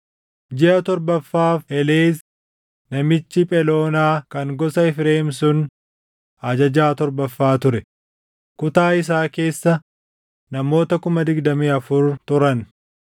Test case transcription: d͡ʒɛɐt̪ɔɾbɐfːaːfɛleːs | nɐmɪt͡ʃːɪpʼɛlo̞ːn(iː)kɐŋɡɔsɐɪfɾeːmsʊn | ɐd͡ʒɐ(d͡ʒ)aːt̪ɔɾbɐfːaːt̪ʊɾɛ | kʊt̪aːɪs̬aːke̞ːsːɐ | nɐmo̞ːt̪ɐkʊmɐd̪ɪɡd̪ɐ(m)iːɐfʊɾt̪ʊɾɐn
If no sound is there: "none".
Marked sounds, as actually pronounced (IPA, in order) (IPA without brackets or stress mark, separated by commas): aː, d͡ʒ, m